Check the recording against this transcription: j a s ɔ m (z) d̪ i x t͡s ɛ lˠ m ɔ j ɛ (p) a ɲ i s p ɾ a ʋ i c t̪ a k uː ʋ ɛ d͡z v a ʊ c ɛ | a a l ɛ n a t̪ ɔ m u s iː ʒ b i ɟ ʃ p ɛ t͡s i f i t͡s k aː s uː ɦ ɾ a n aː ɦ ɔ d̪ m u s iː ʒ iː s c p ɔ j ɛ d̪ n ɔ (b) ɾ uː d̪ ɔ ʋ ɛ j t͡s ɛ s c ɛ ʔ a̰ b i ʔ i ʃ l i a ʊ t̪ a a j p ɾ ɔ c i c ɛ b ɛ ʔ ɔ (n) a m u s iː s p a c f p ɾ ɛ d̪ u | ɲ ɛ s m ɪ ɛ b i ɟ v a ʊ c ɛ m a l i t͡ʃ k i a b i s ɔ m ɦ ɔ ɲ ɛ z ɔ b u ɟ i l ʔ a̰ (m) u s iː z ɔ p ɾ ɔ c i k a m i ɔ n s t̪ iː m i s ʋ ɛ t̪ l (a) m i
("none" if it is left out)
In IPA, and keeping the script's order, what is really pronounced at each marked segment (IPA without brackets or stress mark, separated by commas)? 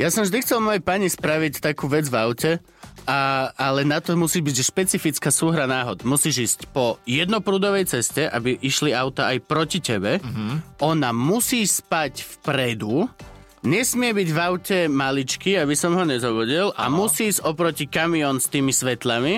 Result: ʒ, p, p, n, m, a